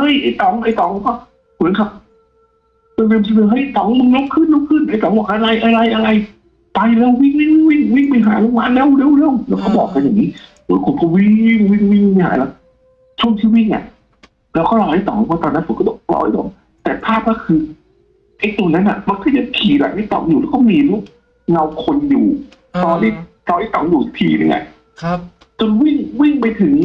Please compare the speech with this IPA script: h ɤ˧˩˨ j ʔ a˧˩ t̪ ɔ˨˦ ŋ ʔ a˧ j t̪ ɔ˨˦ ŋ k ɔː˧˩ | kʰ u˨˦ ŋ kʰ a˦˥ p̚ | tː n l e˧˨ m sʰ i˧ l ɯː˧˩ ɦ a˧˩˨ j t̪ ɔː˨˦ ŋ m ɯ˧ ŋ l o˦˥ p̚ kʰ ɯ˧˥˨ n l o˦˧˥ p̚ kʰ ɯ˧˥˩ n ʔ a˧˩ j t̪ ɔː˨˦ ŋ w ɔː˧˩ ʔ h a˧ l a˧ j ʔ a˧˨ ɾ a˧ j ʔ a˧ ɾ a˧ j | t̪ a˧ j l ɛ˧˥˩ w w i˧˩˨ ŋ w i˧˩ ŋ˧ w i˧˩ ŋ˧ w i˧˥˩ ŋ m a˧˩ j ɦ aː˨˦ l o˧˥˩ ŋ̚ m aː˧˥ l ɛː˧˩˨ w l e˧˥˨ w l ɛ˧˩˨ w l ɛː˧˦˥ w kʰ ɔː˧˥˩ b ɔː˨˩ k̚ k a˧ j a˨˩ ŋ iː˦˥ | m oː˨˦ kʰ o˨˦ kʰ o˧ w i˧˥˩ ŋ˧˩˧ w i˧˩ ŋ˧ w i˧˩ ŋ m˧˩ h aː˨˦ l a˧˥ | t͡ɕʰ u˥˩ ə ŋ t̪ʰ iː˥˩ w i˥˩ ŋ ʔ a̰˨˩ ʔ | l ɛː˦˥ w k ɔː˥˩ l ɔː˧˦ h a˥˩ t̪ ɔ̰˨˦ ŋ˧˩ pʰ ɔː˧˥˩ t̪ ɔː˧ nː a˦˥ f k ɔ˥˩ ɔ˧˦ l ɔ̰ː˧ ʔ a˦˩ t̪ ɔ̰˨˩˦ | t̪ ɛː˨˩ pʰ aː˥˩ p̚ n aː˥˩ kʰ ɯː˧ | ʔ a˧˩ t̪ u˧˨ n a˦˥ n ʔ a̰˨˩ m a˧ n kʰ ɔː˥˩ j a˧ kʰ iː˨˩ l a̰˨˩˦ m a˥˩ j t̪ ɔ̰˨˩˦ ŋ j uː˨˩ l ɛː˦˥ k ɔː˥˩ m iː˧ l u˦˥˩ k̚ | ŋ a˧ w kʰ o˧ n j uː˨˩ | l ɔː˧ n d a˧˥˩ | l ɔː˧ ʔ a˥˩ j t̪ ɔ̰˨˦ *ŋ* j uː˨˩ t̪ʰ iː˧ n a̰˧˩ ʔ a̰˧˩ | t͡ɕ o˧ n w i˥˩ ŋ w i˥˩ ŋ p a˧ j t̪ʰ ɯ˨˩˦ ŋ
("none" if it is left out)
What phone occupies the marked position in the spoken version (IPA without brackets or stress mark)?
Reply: ŋ